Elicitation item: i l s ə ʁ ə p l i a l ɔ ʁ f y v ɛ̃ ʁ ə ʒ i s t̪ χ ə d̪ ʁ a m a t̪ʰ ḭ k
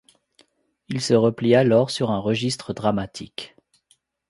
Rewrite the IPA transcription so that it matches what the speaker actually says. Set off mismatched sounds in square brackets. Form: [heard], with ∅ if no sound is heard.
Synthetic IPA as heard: i l s ə ʁ ə p l i a l ɔ ʁ [s] y [ʁ] ɛ̃ ʁ ə ʒ i s t̪ χ ə d̪ ʁ a m a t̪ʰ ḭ k

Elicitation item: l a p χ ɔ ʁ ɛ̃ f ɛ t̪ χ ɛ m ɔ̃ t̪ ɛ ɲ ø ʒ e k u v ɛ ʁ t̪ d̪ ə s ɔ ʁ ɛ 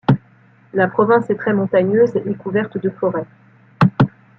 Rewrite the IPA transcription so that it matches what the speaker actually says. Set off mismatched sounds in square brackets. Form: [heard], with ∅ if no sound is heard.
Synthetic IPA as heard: l a p χ ɔ [v] ɛ̃ [s] ɛ t̪ χ ɛ m ɔ̃ t̪ [a] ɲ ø [z] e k u v ɛ ʁ t̪ d̪ ə [f] ɔ ʁ ɛ

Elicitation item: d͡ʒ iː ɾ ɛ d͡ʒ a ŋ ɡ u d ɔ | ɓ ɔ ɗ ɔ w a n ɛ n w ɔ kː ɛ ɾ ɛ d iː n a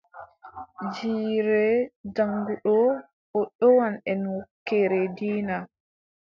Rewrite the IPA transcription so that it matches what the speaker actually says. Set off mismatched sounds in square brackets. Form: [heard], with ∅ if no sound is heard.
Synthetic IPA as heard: d͡ʒ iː ɾ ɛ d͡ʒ a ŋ ɡ u [ɗ] ɔ | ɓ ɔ ɗ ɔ w a n ɛ n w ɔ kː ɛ ɾ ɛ d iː n a

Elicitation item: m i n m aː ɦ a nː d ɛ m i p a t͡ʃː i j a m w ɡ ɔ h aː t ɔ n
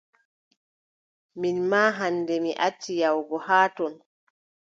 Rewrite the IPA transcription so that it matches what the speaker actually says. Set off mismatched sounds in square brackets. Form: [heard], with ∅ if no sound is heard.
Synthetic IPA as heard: m i n m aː ɦ a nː d ɛ m i [ʔ] a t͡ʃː i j a [∅] w ɡ ɔ h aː t ɔ n

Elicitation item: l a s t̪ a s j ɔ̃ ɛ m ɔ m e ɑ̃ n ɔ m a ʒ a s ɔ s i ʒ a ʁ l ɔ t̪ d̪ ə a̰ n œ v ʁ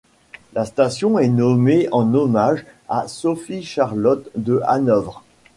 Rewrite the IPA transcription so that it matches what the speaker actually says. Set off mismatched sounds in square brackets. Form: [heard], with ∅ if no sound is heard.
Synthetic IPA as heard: l a s t̪ a s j ɔ̃ ɛ [n] ɔ m e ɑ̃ n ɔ m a ʒ a s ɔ [f] i [ʃ] a ʁ l ɔ t̪ d̪ ə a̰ n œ v ʁ

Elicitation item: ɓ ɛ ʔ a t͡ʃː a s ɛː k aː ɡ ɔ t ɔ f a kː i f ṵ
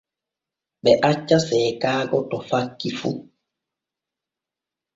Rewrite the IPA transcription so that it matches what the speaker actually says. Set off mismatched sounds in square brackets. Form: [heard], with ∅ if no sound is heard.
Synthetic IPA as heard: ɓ ɛ ʔ a t͡ʃː a s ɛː k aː ɡ ɔ t ɔ f a kː i f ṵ

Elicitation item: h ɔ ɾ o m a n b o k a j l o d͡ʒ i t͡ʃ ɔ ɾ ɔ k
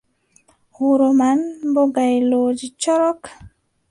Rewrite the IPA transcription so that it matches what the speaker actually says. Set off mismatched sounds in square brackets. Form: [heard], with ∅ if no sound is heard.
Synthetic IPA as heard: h [u] ɾ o m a n b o [ɡ] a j l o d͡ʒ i t͡ʃ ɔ ɾ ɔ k

